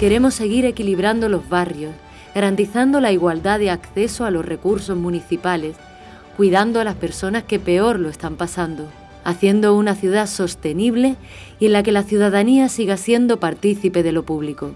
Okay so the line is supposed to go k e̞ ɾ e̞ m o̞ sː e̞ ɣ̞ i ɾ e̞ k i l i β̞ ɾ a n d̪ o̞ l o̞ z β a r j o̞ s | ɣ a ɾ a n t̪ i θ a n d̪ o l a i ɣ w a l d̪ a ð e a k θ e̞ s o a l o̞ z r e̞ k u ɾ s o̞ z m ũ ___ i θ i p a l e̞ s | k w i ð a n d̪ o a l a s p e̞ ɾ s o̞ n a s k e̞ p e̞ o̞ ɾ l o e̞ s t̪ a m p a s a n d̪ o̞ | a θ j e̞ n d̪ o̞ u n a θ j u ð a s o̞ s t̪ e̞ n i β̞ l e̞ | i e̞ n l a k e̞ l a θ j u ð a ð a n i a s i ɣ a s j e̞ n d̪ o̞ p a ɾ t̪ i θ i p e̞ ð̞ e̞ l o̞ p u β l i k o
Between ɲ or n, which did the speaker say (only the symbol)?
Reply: n